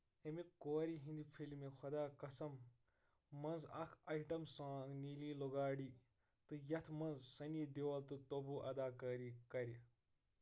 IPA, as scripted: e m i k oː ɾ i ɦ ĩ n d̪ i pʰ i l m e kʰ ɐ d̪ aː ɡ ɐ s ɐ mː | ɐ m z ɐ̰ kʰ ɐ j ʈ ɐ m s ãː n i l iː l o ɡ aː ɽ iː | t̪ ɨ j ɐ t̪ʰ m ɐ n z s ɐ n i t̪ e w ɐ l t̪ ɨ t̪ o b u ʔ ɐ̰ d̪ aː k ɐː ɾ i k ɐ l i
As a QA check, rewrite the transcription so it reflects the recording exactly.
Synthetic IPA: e m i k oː ɾ i ɦ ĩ n d̪ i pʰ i l m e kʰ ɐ d̪ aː k ɐ s ɐ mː | ɐ n z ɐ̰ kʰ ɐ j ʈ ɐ m s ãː n i l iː l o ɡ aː ɽ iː | t̪ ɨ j ɐ t̪ʰ m ɐ n z s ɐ n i d̪ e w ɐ l t̪ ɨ t̪ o b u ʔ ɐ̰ d̪ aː k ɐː ɾ i k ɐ ɾ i